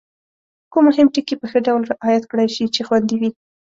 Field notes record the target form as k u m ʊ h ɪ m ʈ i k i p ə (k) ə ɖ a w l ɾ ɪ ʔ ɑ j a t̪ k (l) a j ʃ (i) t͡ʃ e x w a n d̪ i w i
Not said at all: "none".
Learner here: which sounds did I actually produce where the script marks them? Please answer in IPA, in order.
x, ɽ, i

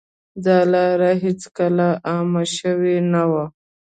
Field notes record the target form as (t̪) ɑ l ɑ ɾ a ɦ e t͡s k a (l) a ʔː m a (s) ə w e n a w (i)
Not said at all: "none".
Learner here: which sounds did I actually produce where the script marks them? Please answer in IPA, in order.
d̪, l, ʃ, a

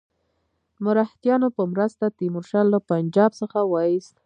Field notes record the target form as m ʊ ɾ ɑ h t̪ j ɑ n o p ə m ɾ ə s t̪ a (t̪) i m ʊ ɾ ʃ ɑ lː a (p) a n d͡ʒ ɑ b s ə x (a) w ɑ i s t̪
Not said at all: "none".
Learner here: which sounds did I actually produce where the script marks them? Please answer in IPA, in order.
t̪, p, a

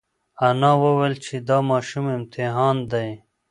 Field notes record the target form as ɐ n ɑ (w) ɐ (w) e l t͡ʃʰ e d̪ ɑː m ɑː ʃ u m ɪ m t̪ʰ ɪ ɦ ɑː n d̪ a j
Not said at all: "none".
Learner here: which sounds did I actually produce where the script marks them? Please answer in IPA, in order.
w, w

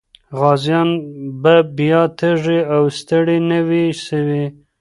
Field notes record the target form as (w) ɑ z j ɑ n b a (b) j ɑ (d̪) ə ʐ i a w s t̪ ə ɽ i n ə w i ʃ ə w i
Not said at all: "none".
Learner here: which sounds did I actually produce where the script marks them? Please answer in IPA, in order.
ɣ, b, t̪

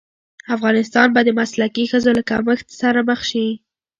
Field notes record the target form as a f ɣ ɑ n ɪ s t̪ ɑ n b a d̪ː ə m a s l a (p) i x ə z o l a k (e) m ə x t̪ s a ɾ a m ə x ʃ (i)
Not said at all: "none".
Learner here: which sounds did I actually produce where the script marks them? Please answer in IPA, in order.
k, a, i

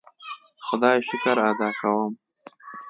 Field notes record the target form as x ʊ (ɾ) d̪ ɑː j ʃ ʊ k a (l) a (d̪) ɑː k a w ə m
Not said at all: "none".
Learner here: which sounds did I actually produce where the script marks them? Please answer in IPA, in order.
none, ɾ, d̪

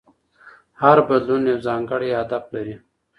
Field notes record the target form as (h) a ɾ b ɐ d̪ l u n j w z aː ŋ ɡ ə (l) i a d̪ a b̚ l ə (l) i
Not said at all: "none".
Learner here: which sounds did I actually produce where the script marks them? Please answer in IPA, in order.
h, ɽ, ɾ

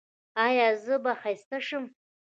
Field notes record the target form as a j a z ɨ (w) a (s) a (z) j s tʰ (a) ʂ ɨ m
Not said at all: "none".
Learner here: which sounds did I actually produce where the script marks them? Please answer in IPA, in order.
b, χ, none, a

